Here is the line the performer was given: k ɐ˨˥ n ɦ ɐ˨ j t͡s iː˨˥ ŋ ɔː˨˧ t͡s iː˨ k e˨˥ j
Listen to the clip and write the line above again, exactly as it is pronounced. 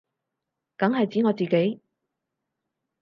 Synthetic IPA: k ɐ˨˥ ŋ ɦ ɐ˨ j t͡s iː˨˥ ŋ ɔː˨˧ t͡s iː˨ k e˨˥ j

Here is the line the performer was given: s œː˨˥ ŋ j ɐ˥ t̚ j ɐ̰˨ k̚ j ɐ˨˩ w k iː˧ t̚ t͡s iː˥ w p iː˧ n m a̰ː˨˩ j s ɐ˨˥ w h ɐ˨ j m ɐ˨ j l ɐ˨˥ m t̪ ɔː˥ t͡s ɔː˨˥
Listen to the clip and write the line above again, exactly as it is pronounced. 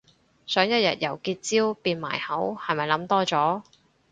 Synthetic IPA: s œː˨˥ ŋ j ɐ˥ t̚ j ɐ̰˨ t̚ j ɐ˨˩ w k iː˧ t̚ t͡s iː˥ w p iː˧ n m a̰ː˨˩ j h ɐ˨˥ w h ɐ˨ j m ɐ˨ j l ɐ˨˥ m t̪ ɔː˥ t͡s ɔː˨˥

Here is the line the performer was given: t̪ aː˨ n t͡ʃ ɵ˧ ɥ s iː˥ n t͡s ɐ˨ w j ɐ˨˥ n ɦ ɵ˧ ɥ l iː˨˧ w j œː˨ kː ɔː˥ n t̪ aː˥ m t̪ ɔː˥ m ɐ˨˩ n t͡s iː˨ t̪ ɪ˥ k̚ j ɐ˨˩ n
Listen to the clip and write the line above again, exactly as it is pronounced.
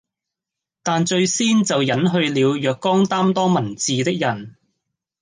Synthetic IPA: t̪ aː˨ n t͡ʃ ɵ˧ ɥ s iː˥ n t͡s ɐ˨ w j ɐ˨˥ n ɦ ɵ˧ ɥ l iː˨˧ w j œː˨ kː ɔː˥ ŋ t̪ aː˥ m t̪ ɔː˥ m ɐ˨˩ n t͡s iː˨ t̪ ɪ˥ k̚ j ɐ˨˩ n

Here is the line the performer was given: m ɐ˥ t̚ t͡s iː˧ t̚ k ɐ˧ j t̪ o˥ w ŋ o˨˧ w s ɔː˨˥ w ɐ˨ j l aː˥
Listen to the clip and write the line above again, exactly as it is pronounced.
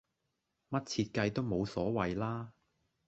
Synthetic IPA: m ɐ˥ t̚ t͡sʰ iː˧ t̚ k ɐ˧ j t̪ o˥ w m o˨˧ w s ɔː˨˥ w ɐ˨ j l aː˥

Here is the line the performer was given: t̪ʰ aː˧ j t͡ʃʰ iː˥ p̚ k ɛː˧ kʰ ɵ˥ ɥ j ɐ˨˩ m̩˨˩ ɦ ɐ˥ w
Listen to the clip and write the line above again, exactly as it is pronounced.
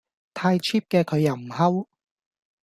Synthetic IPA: t̪ʰ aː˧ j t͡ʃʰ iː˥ p̚ k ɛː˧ kʰ ɵ˨˧ ɥ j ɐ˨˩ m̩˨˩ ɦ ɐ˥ w

